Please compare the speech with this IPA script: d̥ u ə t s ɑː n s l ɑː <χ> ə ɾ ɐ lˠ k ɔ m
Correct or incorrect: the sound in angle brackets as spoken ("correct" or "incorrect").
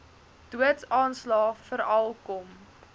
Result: incorrect